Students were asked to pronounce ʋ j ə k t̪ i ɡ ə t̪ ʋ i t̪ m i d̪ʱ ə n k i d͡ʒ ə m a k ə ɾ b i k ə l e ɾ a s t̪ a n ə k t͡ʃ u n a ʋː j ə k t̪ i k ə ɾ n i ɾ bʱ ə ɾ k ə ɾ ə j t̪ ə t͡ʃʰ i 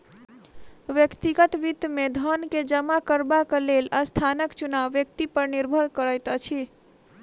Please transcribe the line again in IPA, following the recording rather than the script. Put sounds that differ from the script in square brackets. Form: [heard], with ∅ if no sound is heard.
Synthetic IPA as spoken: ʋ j ə k t̪ i ɡ ə t̪ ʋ i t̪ m [e] d̪ʱ ə n k [e] d͡ʒ ə m a k ə ɾ b [a] k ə l e [l] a s [t̪ʰ] a n ə k t͡ʃ u n a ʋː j ə k t̪ i [p] ə ɾ n i ɾ bʱ ə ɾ k ə ɾ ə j t̪ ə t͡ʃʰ i